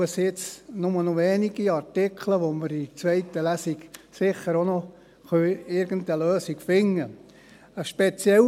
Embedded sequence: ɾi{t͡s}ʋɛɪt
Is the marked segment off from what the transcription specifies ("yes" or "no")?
no